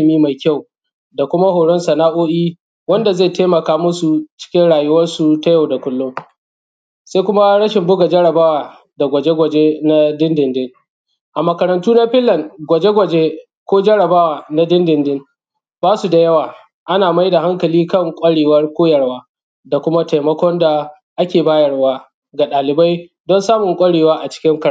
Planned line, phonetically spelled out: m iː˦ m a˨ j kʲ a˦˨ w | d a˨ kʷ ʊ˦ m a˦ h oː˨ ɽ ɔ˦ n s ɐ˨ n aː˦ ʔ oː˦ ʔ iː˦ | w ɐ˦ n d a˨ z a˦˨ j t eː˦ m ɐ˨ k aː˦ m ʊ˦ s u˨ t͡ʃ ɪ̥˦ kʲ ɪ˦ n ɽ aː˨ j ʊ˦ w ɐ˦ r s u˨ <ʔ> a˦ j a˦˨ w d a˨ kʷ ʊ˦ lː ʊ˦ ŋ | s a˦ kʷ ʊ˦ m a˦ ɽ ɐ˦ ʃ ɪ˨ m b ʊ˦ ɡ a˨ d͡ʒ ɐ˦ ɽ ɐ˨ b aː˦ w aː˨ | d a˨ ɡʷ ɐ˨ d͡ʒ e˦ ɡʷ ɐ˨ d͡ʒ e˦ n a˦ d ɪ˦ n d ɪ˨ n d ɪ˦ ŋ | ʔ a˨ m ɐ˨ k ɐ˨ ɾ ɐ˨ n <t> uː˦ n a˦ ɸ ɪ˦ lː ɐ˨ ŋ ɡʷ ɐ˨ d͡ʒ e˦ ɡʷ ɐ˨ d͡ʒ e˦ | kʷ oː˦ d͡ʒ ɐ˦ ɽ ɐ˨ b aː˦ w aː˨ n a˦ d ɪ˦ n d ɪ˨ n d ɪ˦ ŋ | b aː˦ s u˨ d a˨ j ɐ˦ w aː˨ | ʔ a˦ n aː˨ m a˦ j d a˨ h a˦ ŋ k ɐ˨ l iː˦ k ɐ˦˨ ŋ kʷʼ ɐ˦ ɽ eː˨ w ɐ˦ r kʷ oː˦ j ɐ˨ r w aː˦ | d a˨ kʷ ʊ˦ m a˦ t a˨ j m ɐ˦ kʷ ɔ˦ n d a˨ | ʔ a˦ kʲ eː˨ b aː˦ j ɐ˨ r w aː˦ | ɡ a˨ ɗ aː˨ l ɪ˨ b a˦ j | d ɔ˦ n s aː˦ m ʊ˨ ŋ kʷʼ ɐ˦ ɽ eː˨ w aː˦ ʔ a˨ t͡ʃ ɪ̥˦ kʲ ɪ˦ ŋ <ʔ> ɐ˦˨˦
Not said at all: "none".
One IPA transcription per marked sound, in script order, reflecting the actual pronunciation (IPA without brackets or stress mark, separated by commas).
t, t, k